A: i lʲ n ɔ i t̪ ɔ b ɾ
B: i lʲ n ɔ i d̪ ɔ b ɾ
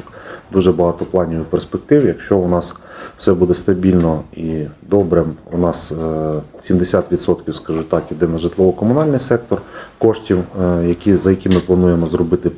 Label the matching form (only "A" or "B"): B